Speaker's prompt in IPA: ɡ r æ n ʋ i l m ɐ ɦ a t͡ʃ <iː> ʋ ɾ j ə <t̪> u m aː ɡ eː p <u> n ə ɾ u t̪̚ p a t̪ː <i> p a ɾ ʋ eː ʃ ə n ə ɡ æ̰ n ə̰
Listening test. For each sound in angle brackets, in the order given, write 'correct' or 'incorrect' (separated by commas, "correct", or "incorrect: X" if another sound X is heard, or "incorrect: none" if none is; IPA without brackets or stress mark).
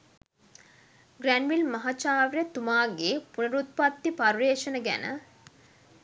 incorrect: aː, correct, correct, correct